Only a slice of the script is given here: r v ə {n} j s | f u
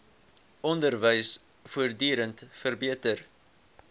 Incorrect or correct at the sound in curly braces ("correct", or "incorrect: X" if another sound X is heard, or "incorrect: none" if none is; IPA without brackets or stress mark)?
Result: incorrect: none